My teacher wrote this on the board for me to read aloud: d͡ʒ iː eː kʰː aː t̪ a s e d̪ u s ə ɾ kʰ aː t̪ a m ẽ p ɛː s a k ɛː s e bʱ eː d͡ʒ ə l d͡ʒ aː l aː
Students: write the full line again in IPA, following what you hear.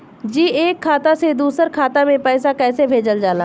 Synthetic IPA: d͡ʒ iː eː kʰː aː t̪ a s e d̪ uː s ə ɾ kʰ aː t̪ a m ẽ p ɛː s a k ɛː s e bʱ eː d͡ʒ ə l d͡ʒ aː l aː